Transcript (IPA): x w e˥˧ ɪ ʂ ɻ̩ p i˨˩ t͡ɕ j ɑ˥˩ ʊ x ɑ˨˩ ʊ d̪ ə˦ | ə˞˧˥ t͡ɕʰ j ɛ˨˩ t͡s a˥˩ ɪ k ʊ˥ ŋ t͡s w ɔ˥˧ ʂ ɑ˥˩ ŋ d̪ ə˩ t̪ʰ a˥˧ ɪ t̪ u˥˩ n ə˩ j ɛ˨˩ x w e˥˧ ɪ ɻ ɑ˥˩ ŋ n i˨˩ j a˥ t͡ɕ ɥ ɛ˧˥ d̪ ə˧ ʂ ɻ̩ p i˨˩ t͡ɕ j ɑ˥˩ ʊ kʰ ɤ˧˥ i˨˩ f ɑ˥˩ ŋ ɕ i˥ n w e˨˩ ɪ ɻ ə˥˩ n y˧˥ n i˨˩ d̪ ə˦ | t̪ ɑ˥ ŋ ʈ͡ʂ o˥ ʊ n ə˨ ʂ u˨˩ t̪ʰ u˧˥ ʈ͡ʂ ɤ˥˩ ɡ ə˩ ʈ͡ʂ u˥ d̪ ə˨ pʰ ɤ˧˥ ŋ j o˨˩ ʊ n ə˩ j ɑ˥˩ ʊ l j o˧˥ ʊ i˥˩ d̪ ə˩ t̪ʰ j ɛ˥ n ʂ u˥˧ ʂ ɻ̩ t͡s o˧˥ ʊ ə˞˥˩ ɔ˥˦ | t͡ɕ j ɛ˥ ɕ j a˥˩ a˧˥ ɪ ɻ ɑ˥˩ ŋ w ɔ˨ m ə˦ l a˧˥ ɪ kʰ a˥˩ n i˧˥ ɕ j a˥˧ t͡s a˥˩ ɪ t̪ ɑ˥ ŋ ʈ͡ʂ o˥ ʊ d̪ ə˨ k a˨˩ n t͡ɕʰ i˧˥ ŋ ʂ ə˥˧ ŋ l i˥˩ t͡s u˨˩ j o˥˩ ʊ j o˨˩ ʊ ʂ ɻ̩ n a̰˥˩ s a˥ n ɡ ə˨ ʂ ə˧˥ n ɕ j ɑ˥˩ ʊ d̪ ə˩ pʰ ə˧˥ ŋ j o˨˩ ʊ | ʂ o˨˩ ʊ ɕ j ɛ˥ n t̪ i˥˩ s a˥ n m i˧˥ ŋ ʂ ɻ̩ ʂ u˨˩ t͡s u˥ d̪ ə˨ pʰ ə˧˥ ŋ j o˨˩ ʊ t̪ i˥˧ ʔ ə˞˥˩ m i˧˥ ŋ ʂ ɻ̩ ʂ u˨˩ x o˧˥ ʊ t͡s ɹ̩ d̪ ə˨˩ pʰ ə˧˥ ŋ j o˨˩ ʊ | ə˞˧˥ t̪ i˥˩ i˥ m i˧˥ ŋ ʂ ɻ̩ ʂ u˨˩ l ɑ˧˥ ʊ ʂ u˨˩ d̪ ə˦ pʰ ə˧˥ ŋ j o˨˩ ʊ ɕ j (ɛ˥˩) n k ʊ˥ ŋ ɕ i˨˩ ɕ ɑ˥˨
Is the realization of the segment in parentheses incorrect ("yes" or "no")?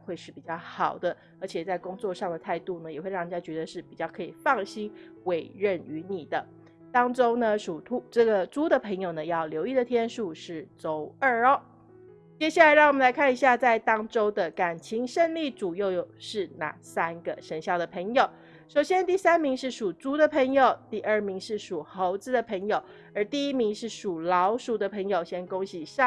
yes